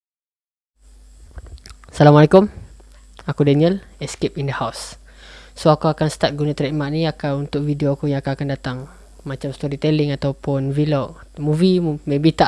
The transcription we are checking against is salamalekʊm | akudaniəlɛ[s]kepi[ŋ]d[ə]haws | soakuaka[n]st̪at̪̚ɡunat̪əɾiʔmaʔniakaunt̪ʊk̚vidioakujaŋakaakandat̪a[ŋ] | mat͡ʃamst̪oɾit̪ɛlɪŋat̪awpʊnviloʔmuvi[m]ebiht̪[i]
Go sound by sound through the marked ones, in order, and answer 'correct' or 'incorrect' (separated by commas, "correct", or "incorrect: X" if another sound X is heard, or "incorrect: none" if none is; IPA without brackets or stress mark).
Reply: correct, incorrect: n, correct, correct, correct, correct, incorrect: a